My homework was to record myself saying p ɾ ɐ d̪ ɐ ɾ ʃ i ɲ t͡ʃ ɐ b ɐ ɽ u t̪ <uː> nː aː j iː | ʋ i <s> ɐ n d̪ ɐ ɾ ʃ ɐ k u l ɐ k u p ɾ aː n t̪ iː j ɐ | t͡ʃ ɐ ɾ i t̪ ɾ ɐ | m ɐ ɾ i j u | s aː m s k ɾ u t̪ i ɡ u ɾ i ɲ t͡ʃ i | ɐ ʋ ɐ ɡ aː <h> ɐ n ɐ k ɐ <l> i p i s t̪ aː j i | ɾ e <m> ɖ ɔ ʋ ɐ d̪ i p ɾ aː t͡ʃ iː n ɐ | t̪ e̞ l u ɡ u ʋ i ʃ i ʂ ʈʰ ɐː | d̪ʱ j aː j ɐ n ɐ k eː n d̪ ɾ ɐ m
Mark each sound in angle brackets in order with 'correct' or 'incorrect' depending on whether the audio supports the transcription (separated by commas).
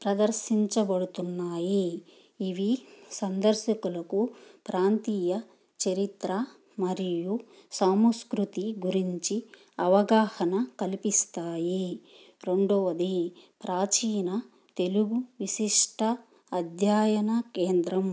incorrect, correct, correct, correct, incorrect